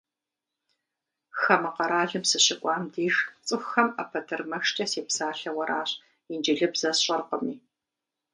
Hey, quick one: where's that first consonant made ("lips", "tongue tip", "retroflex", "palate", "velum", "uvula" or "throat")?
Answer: velum